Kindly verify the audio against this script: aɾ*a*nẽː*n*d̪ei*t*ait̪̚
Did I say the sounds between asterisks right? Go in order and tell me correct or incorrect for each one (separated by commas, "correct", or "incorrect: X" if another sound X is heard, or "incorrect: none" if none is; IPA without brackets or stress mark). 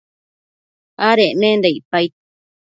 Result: incorrect: e, correct, incorrect: p